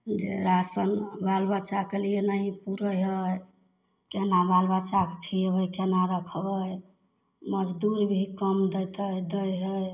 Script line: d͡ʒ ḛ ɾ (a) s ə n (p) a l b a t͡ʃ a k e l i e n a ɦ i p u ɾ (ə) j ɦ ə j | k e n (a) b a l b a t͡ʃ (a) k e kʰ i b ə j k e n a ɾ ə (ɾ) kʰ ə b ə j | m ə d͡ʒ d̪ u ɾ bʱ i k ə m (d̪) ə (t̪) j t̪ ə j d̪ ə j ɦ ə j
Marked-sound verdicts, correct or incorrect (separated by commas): correct, incorrect, correct, correct, correct, incorrect, correct, incorrect